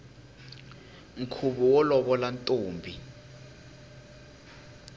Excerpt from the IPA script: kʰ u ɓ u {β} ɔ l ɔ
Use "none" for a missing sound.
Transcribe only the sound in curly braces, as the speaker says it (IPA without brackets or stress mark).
w